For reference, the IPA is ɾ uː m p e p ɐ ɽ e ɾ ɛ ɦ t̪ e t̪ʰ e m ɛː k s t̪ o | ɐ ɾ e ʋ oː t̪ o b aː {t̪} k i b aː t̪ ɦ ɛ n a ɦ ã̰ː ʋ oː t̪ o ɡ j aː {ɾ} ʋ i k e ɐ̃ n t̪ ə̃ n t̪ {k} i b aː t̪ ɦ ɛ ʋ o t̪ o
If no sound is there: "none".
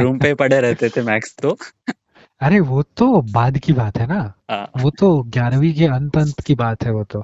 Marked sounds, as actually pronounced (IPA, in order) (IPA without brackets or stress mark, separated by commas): d̪, ɾ, k